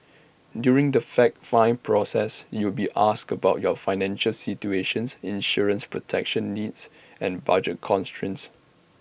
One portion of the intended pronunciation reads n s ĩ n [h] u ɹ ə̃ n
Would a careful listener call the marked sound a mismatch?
yes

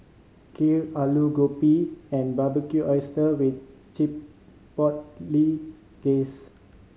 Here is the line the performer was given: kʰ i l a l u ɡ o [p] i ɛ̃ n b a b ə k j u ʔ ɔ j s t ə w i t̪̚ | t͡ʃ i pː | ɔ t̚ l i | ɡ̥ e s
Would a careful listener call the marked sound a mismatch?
no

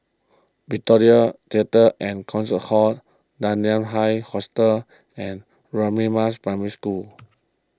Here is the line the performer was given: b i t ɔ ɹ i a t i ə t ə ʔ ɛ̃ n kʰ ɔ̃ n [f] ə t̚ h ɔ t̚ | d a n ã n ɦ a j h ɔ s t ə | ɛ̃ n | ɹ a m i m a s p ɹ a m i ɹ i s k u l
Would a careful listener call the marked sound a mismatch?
yes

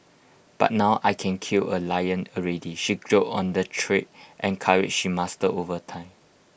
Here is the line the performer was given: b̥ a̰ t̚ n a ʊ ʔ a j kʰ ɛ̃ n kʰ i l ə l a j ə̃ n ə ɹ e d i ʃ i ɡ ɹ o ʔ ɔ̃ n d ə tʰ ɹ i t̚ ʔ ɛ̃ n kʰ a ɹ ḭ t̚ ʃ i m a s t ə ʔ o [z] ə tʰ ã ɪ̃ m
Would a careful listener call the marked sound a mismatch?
yes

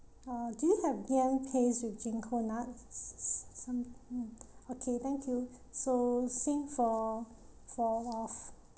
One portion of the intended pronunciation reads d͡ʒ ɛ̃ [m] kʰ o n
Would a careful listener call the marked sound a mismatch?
yes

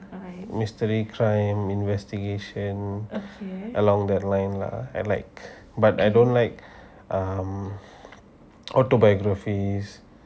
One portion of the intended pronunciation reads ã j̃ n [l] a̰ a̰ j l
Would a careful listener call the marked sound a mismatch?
no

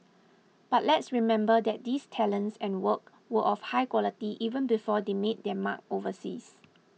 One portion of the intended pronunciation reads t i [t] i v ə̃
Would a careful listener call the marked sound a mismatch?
yes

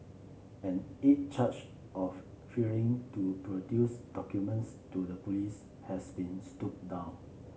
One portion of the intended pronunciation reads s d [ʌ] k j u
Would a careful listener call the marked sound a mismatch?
yes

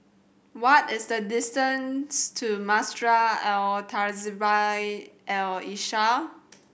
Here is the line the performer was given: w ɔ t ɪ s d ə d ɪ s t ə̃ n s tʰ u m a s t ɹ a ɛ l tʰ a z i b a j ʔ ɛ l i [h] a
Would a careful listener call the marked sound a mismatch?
yes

